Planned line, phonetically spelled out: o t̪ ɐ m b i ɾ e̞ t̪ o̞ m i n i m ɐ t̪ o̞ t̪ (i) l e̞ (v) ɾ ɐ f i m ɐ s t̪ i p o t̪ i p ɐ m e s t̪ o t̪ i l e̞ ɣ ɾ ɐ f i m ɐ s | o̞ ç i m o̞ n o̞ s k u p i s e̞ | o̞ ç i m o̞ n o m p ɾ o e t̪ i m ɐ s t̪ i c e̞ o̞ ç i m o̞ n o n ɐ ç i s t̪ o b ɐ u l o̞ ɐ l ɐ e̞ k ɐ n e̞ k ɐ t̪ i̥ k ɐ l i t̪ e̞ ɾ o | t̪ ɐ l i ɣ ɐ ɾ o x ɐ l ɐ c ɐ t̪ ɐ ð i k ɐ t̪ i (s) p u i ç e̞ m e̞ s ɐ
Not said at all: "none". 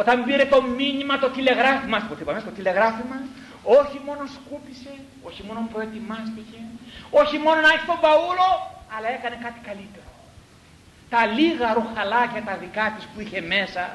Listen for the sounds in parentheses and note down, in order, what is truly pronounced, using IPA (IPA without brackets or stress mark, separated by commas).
i, ɣ, s